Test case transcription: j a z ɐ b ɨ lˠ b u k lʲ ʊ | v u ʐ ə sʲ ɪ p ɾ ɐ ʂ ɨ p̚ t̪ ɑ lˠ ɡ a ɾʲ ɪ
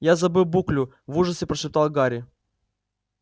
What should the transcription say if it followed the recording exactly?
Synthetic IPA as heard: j a z ɐ b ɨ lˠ b u k lʲ ʊ | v u ʐ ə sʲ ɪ p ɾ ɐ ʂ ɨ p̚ t̪ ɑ lˠ ɡ a ɾʲ ɪ